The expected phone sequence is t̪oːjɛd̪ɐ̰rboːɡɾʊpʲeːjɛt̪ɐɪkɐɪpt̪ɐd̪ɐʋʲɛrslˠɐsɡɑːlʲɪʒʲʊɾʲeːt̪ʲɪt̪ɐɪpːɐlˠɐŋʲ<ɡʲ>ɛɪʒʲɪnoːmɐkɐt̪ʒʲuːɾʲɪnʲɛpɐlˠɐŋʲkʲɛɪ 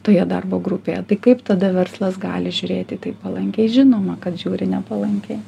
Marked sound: incorrect: kʲ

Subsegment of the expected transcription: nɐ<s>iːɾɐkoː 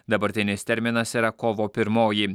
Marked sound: correct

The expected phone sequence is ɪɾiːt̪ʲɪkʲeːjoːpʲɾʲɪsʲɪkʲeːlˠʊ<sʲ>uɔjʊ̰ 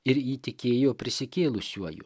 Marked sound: correct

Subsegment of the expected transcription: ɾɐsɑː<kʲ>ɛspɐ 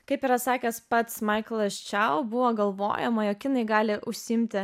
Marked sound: correct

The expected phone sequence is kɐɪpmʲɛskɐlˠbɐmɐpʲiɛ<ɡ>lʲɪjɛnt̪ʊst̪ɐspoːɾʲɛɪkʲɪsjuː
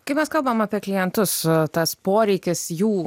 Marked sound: incorrect: k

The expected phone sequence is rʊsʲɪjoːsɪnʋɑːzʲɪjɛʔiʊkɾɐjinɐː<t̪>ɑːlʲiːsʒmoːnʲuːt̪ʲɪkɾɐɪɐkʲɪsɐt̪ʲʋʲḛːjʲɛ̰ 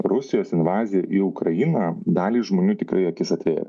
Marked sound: incorrect: d̪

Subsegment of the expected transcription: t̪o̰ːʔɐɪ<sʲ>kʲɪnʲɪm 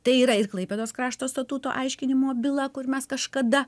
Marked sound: incorrect: ʃʲ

